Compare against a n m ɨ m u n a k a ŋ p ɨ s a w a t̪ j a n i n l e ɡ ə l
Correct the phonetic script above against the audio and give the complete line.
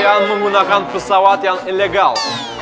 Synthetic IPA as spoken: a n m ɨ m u n a k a n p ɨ s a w a t̪ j a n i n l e ɡ a l